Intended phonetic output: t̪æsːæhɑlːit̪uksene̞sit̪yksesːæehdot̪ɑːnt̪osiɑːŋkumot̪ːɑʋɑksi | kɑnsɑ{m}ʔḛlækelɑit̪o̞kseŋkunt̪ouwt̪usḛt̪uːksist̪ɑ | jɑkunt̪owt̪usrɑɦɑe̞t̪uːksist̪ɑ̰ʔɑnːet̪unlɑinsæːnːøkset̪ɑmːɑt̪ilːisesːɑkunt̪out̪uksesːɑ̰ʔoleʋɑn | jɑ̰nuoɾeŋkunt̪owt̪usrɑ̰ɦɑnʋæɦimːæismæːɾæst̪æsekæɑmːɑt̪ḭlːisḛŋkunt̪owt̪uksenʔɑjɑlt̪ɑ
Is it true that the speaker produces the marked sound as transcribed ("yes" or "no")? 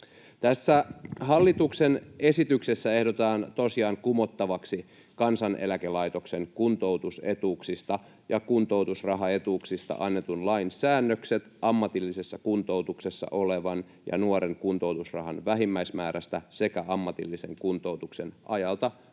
no